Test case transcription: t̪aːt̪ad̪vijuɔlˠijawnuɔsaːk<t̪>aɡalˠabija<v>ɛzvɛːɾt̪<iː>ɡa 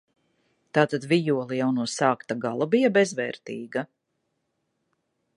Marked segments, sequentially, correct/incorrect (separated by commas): correct, incorrect, correct